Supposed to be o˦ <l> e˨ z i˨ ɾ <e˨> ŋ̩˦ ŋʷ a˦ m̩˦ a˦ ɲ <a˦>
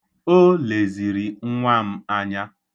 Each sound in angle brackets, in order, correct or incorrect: correct, incorrect: i˨, correct

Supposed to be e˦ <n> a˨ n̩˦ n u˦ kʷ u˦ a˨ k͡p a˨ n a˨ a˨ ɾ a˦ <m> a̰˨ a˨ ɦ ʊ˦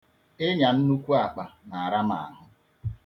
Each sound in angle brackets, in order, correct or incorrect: incorrect: ɲ, correct

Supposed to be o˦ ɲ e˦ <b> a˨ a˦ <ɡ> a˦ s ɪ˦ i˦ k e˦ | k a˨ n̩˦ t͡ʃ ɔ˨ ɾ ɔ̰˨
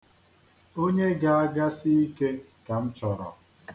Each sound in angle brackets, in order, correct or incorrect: incorrect: ɡ, correct

